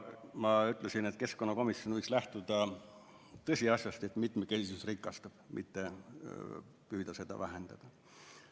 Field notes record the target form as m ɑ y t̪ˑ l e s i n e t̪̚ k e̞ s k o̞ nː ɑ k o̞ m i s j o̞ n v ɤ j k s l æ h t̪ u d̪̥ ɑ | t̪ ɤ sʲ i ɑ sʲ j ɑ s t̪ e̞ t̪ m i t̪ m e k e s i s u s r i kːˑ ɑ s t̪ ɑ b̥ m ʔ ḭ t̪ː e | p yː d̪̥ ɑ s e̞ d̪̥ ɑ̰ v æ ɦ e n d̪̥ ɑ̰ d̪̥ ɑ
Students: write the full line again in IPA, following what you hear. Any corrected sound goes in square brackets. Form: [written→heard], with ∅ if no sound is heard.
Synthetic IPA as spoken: m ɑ y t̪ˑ l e s i n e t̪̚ k e̞ s k o̞ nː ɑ k o̞ m i s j o̞ n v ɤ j k s l æ h t̪ u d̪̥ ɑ | t̪ ɤ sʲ i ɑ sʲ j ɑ s t̪ e̞ t̪ m i t̪ m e k e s i s u s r i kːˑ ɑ s t̪ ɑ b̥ m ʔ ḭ t̪ː e | p yː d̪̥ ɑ s e̞ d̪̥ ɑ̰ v æ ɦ e n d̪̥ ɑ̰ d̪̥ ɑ